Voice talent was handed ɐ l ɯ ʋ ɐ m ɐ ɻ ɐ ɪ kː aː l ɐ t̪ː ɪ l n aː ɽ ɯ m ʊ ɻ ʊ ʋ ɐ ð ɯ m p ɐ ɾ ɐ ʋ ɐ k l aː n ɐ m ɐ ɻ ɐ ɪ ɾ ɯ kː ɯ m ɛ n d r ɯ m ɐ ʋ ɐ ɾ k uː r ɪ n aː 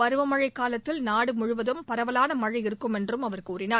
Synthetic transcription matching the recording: ɐ ɾ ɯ ʋ ɐ m ɐ ɻ ɐ ɪ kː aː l ɐ t̪ː ɪ l n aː ɽ ɯ m ʊ ɻ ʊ ʋ ɐ ð ɯ m p ɐ ɾ ɐ ʋ ɐ l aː n ɐ m ɐ ɻ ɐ ɪ ɾ ɯ kː ɯ m ɛ n d r ɯ m ɐ ʋ ɐ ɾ k uː r ɪ n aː

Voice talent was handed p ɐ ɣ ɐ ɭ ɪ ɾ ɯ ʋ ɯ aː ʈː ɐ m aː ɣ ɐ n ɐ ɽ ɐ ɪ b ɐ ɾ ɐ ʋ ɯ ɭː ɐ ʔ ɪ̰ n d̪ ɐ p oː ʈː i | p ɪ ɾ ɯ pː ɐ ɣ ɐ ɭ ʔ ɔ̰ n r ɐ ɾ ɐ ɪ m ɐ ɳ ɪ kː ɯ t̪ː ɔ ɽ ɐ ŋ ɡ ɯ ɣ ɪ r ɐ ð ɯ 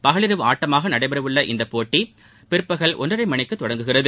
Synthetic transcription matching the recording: p ɐ ɣ ɐ ɭ ɪ ɾ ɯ ʋ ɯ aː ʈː ɐ m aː ɣ ɐ n ɐ ɽ ɐ ɪ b ɐ ɾ ɐ ʋ ɯ ɭː ɐ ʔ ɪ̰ n d̪ ɐ p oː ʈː i | p ɪ ɾ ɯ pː ɐ ɣ ɐ ɭ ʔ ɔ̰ n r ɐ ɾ ɐ ɪ m ɐ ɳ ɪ kː ɯ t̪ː ɔ ɽ ɐ ŋ ɡ ɯ ɣ ɪ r ɐ ð ɯ

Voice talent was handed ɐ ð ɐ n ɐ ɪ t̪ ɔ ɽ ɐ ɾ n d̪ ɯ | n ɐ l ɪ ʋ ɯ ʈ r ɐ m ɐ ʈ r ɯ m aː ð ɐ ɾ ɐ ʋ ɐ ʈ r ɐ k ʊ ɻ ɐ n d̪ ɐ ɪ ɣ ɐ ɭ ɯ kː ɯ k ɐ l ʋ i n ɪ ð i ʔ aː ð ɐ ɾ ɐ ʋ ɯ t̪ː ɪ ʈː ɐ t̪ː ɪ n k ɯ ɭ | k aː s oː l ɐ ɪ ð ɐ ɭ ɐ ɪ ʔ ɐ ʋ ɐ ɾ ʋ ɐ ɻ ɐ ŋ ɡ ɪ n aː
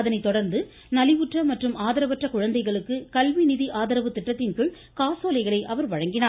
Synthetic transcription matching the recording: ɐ ð ɐ n ɐ ɪ t̪ ɔ ɽ ɐ ɾ n d̪ ɯ | n ɐ l ɪ ʋ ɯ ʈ r ɐ m ɐ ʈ r ɯ m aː ð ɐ ɾ ɐ ʋ ɐ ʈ r ɐ k ʊ ɻ ɐ n d̪ ɐ ɪ ɣ ɐ ɭ ɯ kː ɯ k ɐ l ʋ i n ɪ ð i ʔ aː ð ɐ ɾ ɐ ʋ ɯ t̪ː ɪ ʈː ɐ t̪ː ɪ n k ɯ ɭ | k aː s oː l ɐ ɪ ɣ ɐ ɭ ɐ ɪ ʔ ɐ ʋ ɐ ɾ ʋ ɐ ɻ ɐ ŋ ɡ ɪ n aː

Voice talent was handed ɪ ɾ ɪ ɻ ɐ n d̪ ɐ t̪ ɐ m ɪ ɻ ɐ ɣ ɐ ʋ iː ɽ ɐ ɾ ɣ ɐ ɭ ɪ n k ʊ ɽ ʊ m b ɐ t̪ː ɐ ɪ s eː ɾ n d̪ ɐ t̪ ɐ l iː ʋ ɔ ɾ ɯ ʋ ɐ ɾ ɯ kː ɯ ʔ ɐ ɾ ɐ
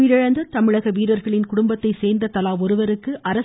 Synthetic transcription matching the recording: ɪ ɾ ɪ ɻ ɐ n d̪ ɐ t̪ ɐ m ɪ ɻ ɐ ɣ ɐ ʋ iː ɾ ɐ ɾ ɣ ɐ ɭ ɪ n k ʊ ɽ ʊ m b ɐ t̪ː ɐ ɪ s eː ɾ n d̪ ɐ t̪ ɐ l aː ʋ ɔ ɾ ɯ ʋ ɐ ɾ ɯ kː ɯ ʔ ɐ ɾ ɐ

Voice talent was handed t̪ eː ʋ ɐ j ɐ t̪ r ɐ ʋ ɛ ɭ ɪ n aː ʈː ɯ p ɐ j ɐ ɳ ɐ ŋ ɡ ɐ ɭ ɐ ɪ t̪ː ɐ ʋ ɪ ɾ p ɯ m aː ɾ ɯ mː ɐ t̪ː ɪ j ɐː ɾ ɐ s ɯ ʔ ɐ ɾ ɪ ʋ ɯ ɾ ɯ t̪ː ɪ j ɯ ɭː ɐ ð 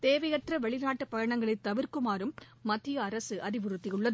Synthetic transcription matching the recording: t̪ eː ʋ ɐ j ɐ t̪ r ɐ ʋ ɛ ɭ ɪ n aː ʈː ɯ p ɐ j ɐ ɳ ɐ ŋ ɡ ɐ ɭ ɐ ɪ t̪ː ɐ ʋ ɪ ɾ k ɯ m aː ɾ ɯ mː ɐ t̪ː ɪ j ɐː ɾ ɐ s ɯ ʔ ɐ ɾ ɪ ʋ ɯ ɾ ɯ t̪ː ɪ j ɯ ɭː ɐ ð

